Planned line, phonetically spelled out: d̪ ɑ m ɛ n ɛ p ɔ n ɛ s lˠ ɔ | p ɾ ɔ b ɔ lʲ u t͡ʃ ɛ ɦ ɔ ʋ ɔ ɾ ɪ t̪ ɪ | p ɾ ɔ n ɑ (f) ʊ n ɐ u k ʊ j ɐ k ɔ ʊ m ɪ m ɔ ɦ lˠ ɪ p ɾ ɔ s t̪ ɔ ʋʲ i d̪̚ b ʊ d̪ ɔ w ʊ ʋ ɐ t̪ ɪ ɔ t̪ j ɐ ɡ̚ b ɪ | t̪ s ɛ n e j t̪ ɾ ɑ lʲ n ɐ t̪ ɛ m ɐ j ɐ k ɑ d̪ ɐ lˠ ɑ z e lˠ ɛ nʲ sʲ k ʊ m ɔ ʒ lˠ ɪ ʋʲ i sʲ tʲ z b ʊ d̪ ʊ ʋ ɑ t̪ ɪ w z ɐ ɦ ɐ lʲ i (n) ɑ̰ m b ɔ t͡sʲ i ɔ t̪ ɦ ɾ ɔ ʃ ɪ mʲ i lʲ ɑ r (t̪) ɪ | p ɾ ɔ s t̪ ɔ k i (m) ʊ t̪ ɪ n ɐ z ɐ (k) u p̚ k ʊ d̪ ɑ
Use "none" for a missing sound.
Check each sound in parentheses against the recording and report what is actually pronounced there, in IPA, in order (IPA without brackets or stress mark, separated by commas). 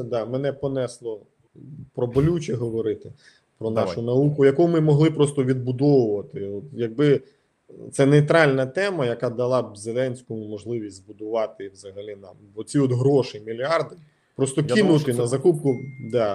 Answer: ʃ, n, d̪, n, k